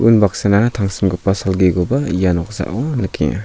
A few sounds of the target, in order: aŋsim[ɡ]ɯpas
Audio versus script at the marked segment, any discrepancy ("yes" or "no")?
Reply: no